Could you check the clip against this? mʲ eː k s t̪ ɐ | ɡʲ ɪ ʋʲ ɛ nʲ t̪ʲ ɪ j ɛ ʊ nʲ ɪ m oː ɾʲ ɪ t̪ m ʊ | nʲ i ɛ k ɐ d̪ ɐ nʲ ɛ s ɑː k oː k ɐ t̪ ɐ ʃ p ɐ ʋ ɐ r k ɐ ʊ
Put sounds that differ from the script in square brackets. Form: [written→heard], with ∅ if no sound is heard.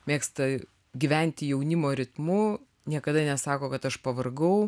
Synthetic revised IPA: mʲ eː k s t̪ ɐ | ɡʲ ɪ ʋʲ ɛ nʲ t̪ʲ ɪ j ɛ ʊ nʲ ɪ m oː ɾʲ ɪ t̪ m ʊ | nʲ i ɛ k ɐ d̪ ɐ nʲ ɛ s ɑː k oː k ɐ t̪ ɐ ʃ p ɐ ʋ ɐ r [k→ɡ] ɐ ʊ